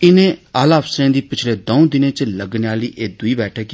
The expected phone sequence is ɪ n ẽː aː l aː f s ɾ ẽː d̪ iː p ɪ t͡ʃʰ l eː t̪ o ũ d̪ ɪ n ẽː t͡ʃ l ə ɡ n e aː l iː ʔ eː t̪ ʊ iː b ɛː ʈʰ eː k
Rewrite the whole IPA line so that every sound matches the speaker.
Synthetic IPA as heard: ɪ n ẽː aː l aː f s ɾ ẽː d̪ iː p ɪ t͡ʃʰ l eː d̪ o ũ d̪ ɪ n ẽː t͡ʃ l ə ɡ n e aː l iː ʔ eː d̪ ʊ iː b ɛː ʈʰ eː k